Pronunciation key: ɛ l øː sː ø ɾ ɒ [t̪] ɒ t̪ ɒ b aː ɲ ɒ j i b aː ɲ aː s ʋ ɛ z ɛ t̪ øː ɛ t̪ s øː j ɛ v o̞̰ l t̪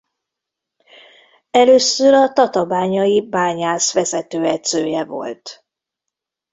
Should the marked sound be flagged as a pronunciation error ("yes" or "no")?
no